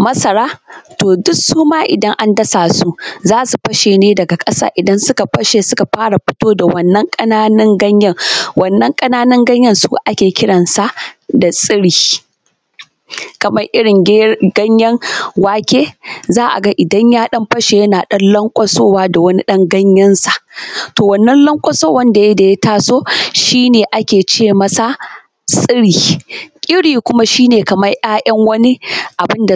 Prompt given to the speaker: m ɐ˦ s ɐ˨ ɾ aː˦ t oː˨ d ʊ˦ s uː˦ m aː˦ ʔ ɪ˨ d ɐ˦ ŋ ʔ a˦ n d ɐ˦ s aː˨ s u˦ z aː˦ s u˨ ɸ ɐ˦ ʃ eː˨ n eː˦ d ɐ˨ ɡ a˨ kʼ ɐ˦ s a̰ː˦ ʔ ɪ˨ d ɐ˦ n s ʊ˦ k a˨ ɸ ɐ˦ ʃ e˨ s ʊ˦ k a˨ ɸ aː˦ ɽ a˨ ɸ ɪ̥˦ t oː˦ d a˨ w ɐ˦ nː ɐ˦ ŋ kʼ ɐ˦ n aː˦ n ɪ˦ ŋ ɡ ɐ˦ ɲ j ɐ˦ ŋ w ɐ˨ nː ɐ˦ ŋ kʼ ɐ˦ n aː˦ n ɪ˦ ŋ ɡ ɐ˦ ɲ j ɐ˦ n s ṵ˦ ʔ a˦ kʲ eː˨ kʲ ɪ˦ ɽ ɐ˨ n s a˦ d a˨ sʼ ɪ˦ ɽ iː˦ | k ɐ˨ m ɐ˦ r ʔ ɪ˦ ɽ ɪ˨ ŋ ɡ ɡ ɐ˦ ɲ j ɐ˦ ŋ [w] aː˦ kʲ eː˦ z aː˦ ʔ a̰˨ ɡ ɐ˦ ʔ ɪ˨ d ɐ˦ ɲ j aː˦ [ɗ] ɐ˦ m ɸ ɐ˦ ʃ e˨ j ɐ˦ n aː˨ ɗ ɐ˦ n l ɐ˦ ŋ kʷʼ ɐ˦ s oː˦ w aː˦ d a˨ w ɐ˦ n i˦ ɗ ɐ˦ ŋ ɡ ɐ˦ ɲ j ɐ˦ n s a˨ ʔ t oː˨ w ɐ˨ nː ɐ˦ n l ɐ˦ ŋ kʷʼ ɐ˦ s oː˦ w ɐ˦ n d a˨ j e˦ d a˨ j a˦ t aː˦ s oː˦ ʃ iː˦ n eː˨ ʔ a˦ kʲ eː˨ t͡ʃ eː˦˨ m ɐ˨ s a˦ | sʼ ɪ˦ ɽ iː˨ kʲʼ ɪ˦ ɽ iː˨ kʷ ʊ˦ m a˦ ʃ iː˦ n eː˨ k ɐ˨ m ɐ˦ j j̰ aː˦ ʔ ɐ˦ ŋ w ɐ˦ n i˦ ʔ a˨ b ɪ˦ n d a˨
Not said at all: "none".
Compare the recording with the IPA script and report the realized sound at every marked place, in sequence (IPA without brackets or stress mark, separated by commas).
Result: w, ɗ